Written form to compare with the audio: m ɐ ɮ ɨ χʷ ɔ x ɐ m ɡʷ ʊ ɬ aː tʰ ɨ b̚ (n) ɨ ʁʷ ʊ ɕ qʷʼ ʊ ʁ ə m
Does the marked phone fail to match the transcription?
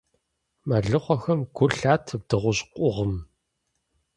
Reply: yes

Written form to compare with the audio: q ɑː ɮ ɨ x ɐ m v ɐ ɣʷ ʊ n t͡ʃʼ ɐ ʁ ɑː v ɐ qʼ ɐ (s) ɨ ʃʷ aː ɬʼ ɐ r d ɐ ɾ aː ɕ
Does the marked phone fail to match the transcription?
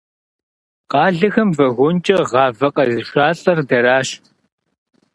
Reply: yes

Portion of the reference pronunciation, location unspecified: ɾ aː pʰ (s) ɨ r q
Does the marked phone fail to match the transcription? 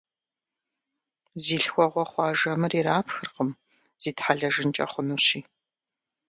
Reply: yes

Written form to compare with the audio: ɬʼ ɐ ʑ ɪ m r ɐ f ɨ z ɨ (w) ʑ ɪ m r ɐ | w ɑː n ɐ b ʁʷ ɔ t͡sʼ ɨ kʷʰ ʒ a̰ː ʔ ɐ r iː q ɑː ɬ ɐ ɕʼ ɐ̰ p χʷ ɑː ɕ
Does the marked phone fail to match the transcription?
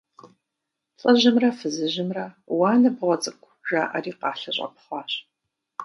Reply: yes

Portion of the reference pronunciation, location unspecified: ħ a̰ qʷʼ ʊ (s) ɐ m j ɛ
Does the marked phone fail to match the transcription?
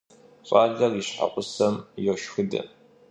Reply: no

